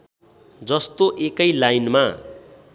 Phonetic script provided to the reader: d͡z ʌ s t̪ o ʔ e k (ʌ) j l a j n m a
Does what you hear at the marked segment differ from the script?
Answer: no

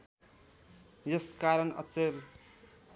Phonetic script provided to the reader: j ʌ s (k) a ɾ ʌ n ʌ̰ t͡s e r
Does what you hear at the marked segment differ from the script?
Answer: no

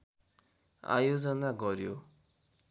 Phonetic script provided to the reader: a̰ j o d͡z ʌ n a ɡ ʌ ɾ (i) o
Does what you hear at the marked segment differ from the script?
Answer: yes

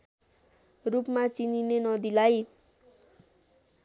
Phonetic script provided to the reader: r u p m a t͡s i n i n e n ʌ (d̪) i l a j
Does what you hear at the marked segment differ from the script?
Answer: no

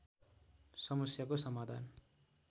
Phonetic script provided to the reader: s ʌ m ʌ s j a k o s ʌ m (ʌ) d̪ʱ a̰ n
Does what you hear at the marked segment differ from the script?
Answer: yes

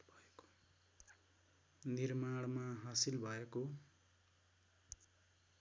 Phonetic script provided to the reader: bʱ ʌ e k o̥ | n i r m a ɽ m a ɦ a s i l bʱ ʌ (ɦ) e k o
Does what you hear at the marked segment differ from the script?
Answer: yes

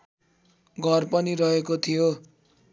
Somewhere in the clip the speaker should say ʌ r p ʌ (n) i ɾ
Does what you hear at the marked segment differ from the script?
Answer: no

